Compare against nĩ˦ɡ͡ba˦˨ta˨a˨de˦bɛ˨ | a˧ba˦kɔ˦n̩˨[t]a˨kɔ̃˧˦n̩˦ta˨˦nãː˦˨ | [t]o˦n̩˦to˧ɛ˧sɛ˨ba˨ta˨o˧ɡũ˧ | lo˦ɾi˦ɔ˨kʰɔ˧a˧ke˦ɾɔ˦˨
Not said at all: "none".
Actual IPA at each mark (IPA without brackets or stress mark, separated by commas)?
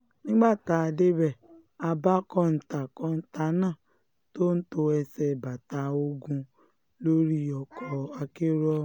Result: t, t